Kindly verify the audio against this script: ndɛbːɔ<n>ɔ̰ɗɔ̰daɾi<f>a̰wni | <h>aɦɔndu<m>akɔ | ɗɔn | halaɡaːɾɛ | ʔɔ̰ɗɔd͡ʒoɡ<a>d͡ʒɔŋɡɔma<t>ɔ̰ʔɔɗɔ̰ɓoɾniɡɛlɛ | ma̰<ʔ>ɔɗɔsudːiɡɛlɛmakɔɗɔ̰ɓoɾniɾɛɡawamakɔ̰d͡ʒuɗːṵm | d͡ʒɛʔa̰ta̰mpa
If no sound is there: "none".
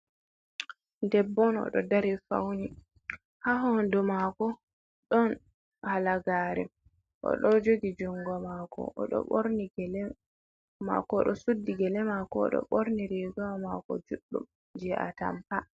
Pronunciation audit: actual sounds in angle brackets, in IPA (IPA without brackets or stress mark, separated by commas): n, f, h, m, i, k, k